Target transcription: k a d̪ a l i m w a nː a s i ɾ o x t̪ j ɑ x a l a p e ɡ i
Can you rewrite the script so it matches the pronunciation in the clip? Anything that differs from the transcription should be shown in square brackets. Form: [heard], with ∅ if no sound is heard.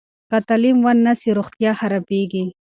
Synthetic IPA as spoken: k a [t̪] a l i m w a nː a s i ɾ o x t̪ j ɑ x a [ɾ] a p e ɡ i